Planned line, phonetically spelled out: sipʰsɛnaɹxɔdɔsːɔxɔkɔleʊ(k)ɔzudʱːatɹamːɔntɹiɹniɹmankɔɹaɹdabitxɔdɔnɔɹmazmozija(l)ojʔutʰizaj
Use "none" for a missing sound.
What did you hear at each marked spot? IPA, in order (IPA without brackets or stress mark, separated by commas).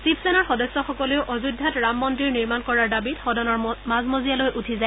ʔ, l